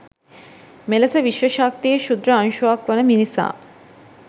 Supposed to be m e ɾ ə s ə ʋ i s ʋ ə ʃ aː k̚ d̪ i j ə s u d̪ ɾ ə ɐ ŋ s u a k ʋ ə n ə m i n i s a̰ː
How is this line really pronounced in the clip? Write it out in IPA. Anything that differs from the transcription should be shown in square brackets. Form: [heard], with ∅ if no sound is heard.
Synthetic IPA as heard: m e [l] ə s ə ʋ i [ʃ] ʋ ə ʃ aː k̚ [t̪] i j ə [ʃ] u d̪ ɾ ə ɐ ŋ [ʃ] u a k ʋ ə n ə m i n i s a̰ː